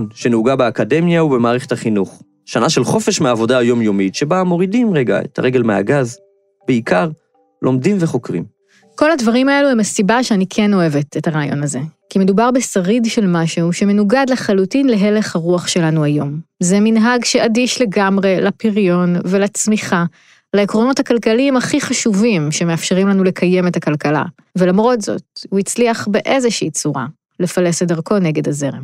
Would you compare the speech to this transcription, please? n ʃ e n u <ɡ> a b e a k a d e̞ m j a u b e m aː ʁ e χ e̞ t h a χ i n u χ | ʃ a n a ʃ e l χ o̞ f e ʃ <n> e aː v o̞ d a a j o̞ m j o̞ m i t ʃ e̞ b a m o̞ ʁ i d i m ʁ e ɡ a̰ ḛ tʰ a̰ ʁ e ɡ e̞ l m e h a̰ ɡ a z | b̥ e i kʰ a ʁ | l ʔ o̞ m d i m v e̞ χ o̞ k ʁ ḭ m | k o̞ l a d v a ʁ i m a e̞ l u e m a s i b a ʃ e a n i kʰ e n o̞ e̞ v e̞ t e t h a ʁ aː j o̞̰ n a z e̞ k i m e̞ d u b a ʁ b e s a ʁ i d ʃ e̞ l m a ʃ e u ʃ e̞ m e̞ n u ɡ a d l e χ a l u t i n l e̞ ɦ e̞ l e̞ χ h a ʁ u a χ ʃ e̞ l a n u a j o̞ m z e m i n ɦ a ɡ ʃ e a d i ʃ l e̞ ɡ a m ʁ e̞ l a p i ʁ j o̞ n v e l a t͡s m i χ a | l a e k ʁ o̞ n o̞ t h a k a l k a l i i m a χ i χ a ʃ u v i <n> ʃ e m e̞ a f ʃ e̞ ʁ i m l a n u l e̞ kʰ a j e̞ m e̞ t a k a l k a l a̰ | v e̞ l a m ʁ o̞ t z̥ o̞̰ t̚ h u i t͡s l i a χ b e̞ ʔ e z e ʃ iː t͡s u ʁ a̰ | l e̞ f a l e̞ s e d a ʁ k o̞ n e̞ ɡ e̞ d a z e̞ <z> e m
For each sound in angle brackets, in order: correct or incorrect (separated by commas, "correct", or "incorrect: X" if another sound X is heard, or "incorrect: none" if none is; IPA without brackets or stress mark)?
correct, incorrect: m, incorrect: m, incorrect: ʁ